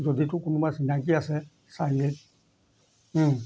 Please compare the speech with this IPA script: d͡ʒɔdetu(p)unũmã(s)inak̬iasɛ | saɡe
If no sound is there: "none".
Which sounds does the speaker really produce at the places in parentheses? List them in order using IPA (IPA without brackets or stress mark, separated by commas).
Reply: k, s